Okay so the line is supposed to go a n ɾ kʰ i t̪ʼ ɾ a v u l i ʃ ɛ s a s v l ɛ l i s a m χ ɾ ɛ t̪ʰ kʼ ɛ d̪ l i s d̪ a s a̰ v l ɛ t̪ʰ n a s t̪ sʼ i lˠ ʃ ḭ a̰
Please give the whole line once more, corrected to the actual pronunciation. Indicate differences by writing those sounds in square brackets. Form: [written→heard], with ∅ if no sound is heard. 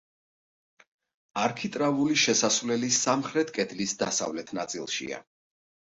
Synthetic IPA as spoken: a [n→∅] ɾ kʰ i t̪ʼ ɾ a v u l i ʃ ɛ s a s v l ɛ l i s a m χ ɾ ɛ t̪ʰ kʼ ɛ d̪ l i s d̪ a s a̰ v l ɛ t̪ʰ n a [s→∅] t̪ sʼ i lˠ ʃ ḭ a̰